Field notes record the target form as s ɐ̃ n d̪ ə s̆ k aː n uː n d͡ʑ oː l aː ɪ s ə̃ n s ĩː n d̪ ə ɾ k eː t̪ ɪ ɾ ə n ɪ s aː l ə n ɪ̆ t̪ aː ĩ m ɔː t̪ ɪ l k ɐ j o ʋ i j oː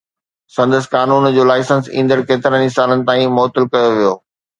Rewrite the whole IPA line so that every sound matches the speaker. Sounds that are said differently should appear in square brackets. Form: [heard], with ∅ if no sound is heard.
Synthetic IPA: s ɐ̃ n d̪ ə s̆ k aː n uː n d͡ʑ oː l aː ɪ s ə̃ n s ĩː n d̪ ə ɾ k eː t̪ ɪ ɾ ə n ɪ s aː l ə n ɪ̆ t̪ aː ĩ m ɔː t̪ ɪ l k ɐ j o ʋ i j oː

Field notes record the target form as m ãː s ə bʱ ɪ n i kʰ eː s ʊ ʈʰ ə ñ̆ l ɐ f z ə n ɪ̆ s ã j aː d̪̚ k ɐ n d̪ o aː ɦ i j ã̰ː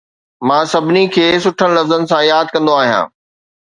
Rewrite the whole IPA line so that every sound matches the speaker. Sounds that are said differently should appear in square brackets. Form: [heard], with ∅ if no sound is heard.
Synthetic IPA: m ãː s [ɐ] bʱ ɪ n i kʰ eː s ʊ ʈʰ ə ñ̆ l ɐ f z ə n ɪ̆ s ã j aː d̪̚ k [ɐ̃] n d̪ o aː ɦ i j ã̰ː

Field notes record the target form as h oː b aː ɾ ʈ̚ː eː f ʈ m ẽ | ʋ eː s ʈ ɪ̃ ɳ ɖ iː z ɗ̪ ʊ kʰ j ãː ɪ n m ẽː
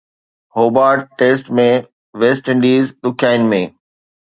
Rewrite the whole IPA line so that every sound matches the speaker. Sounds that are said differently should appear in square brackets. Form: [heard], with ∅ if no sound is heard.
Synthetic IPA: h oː b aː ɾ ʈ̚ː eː [s] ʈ m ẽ | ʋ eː s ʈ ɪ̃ ɳ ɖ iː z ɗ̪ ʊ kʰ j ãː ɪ n m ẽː

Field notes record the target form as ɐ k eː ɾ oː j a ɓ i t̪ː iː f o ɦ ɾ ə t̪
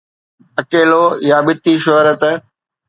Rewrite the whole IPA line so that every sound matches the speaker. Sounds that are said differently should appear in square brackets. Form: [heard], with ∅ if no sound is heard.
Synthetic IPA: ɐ k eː [l] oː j a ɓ [ɪ] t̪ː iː [ʃ] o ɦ ɾ ə t̪

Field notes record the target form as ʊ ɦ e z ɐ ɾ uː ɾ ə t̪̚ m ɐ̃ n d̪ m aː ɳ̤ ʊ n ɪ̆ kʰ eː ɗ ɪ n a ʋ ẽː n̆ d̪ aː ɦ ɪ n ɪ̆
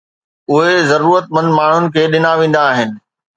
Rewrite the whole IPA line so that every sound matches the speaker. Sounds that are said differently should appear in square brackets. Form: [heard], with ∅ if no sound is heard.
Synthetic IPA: ʊ ɦ e z ɐ ɾ uː ɾ ə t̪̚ m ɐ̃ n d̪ m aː ɳ̤ ʊ n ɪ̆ kʰ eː ɗ ɪ n a ʋ ẽː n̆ d̪ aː ɦ ɪ n ɪ̆

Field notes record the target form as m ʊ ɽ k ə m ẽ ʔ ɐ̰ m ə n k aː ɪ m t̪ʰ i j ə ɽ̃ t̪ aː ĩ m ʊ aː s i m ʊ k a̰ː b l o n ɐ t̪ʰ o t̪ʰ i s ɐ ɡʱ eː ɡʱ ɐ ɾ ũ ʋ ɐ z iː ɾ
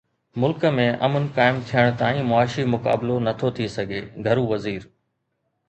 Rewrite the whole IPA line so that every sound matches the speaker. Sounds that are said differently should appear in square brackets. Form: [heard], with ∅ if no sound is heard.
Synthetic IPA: m ʊ [l] k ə m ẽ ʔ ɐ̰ m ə n k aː ɪ m t̪ʰ i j ə ɽ̃ t̪ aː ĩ m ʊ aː [ʃ] i m ʊ k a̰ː b l o n ɐ t̪ʰ o t̪ʰ i s ɐ ɡʱ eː ɡʱ ɐ ɾ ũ ʋ ɐ z iː ɾ

